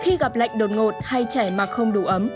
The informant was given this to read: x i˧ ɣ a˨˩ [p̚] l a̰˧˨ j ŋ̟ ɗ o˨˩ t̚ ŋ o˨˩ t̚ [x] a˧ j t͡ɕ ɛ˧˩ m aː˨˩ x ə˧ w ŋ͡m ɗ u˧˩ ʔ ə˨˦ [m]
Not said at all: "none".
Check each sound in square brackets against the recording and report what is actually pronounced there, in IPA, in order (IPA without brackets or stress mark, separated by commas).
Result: p̚, h, m